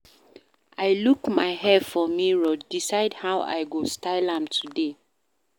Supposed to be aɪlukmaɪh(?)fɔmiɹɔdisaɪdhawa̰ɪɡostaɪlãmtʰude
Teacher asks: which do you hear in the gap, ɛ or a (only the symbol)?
ɛ